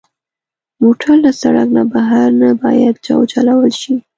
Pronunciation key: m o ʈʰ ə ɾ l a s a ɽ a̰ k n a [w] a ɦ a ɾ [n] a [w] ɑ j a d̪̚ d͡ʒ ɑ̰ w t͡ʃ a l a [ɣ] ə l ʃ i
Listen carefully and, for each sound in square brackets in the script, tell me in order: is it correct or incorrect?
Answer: incorrect: b, correct, incorrect: b, incorrect: w

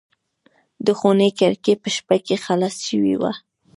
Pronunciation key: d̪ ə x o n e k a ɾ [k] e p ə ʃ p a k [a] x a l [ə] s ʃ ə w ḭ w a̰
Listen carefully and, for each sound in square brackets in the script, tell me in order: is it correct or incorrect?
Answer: correct, incorrect: e, incorrect: a

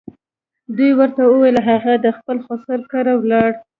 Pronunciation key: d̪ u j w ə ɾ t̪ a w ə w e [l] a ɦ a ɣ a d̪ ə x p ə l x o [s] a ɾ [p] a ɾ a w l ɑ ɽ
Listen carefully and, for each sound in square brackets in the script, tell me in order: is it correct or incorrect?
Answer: correct, correct, incorrect: k

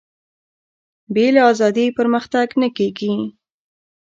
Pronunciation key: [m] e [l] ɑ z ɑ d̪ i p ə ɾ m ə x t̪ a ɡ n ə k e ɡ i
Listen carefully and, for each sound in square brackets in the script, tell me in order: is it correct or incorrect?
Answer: incorrect: b, correct

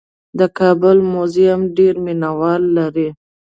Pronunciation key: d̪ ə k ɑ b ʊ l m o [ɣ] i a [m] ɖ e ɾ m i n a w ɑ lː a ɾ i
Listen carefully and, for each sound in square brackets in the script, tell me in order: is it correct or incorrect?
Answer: incorrect: z, correct

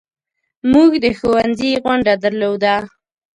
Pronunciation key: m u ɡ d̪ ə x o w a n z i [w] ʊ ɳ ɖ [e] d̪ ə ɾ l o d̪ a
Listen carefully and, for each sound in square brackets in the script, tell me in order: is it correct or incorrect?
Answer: incorrect: ɣ, incorrect: a

